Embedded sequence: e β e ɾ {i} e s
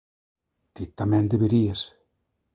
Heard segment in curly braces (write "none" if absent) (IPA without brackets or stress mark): i